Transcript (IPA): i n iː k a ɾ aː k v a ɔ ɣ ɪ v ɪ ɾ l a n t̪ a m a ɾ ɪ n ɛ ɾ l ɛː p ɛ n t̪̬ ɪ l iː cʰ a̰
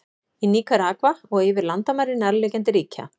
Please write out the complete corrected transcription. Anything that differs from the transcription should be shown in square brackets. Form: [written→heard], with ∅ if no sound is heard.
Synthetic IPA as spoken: i n iː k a ɾ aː k v a ɔ ɣ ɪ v ɪ ɾ l a n t̪ a m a ɾ ɪ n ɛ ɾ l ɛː [p→c] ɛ n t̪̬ ɪ [l→ɾ] iː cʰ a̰